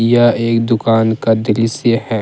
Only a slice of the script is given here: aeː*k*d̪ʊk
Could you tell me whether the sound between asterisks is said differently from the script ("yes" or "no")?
no